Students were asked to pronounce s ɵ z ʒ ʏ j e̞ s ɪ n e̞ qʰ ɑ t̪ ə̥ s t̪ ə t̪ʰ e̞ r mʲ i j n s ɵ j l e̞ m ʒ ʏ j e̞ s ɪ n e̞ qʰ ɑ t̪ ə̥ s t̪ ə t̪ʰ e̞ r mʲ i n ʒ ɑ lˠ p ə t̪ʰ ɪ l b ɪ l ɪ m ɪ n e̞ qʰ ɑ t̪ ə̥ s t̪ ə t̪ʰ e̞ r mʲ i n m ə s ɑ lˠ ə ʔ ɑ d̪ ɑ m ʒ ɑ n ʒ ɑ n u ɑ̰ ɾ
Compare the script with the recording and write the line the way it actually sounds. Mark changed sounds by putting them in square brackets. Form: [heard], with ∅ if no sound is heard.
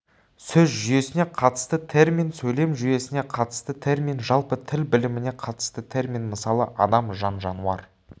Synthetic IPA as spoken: s ɵ z ʒ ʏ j e̞ s ɪ n e̞ qʰ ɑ t̪ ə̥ s t̪ ə t̪ʰ e̞ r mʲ i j n s ɵ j l e̞ m ʒ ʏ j e̞ s ɪ n e̞ qʰ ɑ t̪ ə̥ s t̪ ə t̪ʰ e̞ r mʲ i n ʒ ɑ lˠ p ə t̪ʰ ɪ l b ɪ l ɪ m ɪ n e̞ qʰ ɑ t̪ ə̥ s t̪ ə t̪ʰ e̞ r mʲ i n m ə s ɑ lˠ ə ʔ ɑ d̪ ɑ m ʒ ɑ n ʒ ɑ n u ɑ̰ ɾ

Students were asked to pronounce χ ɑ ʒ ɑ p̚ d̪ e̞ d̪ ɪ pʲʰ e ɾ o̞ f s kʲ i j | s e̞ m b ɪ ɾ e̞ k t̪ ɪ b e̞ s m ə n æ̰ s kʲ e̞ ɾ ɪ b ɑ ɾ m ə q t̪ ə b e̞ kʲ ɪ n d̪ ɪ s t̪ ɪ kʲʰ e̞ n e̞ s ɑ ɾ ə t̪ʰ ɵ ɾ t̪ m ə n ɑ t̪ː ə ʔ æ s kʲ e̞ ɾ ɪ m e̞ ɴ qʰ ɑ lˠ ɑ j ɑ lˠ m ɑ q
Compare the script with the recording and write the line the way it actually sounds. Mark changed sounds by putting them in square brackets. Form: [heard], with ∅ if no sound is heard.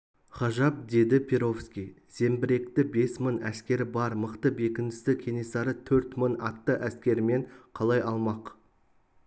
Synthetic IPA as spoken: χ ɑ ʒ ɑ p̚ d̪ e̞ d̪ ɪ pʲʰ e ɾ o̞ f s kʲ i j | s e̞ m b ɪ ɾ e̞ k t̪ ɪ b e̞ s m ə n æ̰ s kʲ e̞ ɾ ɪ b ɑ ɾ m ə q t̪ ə b e̞ kʲ ɪ n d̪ ɪ s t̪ ɪ kʲʰ e̞ n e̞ s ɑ ɾ ə t̪ʰ ɵ ɾ t̪ m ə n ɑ t̪ː ə ʔ æ s kʲ e̞ ɾ ɪ m e̞ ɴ qʰ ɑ lˠ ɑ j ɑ lˠ m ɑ q

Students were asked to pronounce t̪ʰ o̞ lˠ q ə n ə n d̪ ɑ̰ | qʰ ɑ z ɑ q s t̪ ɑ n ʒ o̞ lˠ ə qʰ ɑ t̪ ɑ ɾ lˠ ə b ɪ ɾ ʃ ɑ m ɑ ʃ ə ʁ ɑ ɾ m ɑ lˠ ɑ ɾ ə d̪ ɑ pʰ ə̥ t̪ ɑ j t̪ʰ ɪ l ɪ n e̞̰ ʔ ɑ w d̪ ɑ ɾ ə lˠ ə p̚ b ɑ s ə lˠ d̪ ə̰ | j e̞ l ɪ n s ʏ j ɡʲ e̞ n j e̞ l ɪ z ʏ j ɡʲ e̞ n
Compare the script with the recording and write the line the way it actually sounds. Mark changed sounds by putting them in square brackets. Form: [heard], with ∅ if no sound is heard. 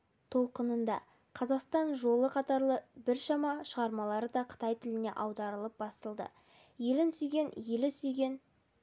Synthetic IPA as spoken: t̪ʰ o̞ lˠ q ə n ə n d̪ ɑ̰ | qʰ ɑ z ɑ q s t̪ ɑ n ʒ o̞ lˠ ə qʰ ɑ t̪ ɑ ɾ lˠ ə b ɪ ɾ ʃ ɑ m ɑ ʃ ə ʁ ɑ ɾ m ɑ lˠ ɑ ɾ ə d̪ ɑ [qʰ] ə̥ t̪ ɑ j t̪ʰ ɪ l ɪ n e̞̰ ʔ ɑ w d̪ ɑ ɾ ə lˠ ə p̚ b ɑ s ə lˠ d̪ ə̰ | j e̞ l ɪ n s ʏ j ɡʲ e̞ n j e̞ l ɪ [s] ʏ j ɡʲ e̞ n

